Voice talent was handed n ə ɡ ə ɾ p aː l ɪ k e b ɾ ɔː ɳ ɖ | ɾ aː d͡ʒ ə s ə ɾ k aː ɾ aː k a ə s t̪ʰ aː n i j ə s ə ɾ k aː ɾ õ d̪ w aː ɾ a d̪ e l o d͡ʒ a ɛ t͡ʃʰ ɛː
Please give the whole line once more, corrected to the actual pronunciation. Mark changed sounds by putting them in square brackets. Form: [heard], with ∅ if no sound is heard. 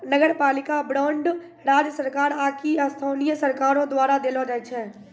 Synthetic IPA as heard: n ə ɡ ə ɾ p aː l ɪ k [a] b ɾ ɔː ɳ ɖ | ɾ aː d͡ʒ ə s ə ɾ k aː ɾ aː k [i] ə s t̪ʰ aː n i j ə s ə ɾ k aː ɾ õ d̪ w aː ɾ a d̪ e l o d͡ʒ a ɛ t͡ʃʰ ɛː